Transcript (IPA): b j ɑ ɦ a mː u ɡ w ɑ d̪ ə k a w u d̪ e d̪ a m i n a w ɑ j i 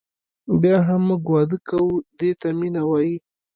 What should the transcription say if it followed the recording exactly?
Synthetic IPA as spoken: b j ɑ ɦ a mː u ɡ w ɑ d̪ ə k a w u d̪ e t̪ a m i n a w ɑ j i